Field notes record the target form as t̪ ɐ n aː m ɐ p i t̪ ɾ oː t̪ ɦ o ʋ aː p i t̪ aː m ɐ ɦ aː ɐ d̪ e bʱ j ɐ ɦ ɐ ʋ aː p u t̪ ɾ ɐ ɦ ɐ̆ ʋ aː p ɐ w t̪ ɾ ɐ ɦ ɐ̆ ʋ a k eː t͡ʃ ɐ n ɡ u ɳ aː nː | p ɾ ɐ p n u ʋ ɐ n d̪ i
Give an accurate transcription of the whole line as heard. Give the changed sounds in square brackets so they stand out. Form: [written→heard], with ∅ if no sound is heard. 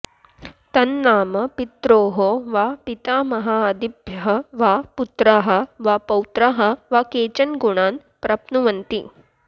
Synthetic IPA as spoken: t̪ ɐ [n→nː] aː m ɐ p i t̪ ɾ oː [t̪→∅] ɦ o ʋ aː p i t̪ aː m ɐ ɦ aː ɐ d̪ [e→i] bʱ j ɐ ɦ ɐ ʋ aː p u t̪ ɾ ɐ ɦ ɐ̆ ʋ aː p ɐ w t̪ ɾ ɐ ɦ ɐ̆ ʋ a k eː t͡ʃ ɐ n ɡ u ɳ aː [nː→n] | p ɾ ɐ p n u ʋ ɐ n [d̪→t̪] i